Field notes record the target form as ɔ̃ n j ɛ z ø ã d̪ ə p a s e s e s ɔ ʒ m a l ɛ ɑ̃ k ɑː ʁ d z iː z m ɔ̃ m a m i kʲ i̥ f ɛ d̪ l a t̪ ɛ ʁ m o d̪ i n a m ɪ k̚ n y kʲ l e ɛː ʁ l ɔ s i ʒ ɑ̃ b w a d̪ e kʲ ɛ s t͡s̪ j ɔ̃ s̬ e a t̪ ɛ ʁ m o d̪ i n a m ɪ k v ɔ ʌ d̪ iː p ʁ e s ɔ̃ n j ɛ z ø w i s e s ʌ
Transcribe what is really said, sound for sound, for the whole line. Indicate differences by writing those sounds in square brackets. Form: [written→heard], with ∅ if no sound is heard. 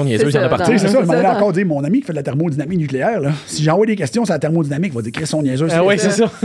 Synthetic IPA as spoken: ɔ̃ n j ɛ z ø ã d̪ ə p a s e s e s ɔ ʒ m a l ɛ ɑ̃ k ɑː ʁ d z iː [z→ʁ] m ɔ̃ [m→n] a m i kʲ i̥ f ɛ d̪ l a t̪ ɛ ʁ m o d̪ i n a m ɪ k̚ n y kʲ l e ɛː ʁ l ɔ s i ʒ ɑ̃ [b→v] w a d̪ e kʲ ɛ s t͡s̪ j ɔ̃ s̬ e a t̪ ɛ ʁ m o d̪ i n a m ɪ k v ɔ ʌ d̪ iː [p→k] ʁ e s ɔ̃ n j ɛ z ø w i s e s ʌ